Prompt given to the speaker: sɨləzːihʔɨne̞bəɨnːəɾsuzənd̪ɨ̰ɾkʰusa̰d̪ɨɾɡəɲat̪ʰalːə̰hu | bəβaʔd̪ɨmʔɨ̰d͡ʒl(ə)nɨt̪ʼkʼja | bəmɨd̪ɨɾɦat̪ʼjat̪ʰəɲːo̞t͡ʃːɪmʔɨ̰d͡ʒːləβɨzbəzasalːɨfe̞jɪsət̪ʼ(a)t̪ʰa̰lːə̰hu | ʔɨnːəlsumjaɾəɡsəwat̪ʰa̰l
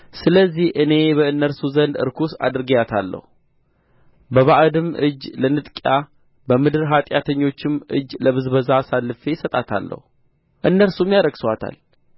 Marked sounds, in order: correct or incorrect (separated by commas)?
correct, correct